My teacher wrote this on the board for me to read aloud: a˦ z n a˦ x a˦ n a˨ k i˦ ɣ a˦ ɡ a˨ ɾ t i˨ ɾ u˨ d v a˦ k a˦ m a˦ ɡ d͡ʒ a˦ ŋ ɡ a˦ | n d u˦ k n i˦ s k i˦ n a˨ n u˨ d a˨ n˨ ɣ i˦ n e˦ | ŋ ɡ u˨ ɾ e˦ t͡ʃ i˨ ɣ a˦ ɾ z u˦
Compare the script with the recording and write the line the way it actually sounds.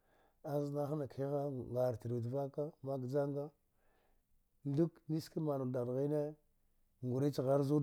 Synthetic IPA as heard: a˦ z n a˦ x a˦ n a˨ k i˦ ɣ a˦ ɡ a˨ ɾ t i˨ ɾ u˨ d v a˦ k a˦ m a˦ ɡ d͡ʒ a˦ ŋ ɡ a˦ | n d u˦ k n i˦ s k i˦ m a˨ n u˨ d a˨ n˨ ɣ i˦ n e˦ | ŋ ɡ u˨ ɾ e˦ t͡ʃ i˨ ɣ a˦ ɾ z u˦

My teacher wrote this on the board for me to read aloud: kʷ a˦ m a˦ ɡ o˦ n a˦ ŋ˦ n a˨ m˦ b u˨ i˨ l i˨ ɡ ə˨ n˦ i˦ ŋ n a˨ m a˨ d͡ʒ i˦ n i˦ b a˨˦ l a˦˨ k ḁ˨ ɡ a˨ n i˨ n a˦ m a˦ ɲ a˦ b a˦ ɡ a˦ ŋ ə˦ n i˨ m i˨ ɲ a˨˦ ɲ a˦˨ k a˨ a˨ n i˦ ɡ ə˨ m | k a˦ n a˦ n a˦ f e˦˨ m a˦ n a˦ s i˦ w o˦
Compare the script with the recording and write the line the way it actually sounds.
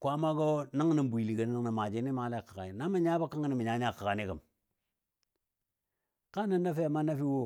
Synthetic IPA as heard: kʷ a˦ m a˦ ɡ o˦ n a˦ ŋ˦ n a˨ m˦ b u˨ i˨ l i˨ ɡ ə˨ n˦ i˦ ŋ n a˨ m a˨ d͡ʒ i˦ n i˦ m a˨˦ l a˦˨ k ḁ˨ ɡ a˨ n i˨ n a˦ m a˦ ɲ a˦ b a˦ k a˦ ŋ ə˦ n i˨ m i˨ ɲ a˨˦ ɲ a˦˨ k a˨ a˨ n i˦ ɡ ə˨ m | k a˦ n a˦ n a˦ f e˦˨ m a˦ n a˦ f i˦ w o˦

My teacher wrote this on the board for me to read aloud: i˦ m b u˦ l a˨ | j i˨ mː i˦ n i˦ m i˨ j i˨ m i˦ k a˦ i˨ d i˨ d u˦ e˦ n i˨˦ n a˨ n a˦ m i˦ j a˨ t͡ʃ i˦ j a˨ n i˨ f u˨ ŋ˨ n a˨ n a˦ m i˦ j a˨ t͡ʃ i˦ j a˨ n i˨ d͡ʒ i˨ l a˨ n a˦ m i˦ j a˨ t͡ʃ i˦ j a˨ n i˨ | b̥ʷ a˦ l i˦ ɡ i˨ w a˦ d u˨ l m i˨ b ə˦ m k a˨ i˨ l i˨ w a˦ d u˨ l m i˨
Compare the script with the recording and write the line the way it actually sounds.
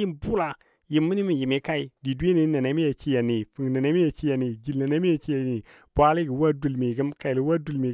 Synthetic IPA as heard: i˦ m b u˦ l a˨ | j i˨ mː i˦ n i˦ m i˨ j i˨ m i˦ k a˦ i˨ d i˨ d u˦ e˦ n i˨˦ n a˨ n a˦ m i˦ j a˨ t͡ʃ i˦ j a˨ n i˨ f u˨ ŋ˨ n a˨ n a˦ m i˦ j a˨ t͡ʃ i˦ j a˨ n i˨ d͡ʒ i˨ l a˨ n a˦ m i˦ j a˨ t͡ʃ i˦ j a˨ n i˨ | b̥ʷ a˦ l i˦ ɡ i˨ w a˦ d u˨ l m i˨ ɡ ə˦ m k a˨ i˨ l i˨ w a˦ d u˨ l m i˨

